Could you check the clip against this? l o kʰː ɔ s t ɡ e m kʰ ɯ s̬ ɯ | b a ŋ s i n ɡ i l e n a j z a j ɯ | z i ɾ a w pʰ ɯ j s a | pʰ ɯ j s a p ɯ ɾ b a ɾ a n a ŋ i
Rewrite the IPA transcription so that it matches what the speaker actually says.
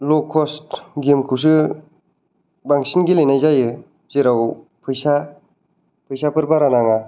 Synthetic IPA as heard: l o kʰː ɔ s t ɡ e m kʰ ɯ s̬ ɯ | b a ŋ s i n ɡ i l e n a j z a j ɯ | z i ɾ a w pʰ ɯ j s a | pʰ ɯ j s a p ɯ ɾ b a ɾ a n a ŋ a